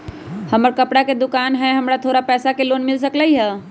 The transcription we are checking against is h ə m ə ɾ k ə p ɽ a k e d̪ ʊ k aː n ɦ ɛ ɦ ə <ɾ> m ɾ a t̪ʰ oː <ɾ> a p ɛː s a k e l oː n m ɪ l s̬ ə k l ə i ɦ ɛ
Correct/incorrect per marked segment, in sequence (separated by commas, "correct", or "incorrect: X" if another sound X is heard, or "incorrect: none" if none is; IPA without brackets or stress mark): incorrect: none, correct